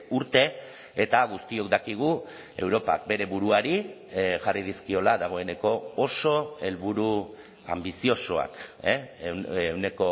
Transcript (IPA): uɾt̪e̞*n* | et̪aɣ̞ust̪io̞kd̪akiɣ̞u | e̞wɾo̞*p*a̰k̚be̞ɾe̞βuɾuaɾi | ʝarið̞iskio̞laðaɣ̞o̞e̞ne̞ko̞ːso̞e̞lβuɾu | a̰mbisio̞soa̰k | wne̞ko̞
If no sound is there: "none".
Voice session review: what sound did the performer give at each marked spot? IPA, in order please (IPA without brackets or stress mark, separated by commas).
none, p